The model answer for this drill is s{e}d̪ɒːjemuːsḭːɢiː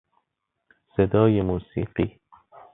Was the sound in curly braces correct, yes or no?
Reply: yes